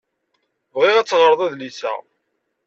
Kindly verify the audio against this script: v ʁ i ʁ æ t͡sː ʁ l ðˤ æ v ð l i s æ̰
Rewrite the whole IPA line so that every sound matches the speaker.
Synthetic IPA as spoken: v ʁ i ʁ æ t͡sː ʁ ɾ ðˤ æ ð l i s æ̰